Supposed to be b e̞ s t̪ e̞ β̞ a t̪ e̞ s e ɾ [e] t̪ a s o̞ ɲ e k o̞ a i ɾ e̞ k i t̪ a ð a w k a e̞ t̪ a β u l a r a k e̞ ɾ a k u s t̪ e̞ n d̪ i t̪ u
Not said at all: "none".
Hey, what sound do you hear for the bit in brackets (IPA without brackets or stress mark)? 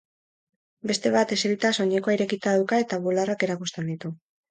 i